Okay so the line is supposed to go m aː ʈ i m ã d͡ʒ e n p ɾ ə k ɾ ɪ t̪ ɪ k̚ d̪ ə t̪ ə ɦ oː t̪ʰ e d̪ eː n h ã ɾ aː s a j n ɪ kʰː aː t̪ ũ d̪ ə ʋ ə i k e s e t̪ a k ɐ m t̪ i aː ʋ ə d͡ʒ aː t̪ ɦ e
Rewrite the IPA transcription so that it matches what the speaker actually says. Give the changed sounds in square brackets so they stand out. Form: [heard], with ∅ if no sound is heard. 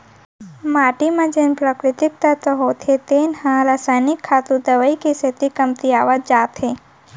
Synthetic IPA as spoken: m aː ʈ i m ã d͡ʒ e n p ɾ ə k ɾ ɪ t̪ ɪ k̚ [t̪] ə t̪ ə ɦ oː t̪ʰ e [t̪] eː n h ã ɾ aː s a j n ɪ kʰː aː t̪ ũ d̪ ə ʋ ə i k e s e t̪ [i] k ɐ m t̪ i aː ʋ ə d͡ʒ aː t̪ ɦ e